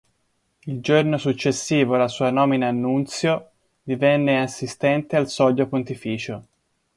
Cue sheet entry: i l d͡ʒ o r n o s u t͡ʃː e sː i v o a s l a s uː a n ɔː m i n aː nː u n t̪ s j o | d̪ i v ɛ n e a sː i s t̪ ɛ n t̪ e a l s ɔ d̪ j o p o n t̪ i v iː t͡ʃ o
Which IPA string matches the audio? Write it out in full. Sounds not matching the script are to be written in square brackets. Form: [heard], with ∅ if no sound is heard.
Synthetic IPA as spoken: i l d͡ʒ o r n o s u t͡ʃː e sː [iː] v o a [∅] l a s uː a n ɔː m i n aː nː u n t̪ s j o | d̪ i v ɛ [nː] e a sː i s t̪ ɛ n t̪ e a l s ɔ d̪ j o p o n t̪ i [f] iː t͡ʃ o